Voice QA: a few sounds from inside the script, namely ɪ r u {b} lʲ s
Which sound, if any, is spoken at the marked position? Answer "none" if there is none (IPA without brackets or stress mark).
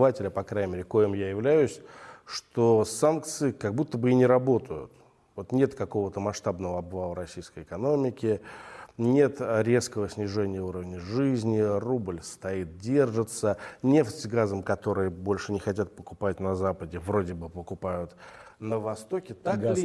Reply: b